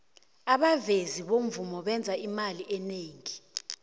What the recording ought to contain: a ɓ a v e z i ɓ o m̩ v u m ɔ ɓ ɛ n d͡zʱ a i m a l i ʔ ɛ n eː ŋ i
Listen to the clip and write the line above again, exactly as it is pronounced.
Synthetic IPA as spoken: a ɓ a v e z i ɓ o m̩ v u m ɔ ɓ ɛ n d͡zʱ a i m a l i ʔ ɛ n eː ŋ i